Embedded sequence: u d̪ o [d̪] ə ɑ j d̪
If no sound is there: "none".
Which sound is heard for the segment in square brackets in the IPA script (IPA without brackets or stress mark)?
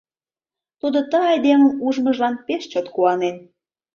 t̪